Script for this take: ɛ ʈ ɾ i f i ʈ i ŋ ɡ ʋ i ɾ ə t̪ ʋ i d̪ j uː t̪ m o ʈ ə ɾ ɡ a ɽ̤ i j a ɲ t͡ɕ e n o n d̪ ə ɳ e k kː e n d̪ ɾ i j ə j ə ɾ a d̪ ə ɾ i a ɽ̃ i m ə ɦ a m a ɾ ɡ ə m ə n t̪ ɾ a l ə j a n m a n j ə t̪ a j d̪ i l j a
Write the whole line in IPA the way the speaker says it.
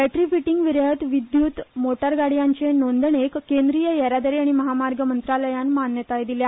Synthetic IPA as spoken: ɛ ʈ ɾ i f i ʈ i ŋ ɡ ʋ i ɾ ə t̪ ʋ i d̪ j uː t̪ m o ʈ ə ɾ ɡ a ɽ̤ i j a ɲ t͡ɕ e n o n d̪ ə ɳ e k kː e n d̪ ɾ i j ə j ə ɾ a d̪ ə ɾ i a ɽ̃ i m ə ɦ a m a ɾ ɡ ə m ə n t̪ ɾ a l ə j a n m a n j ə t̪ a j d̪ i l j a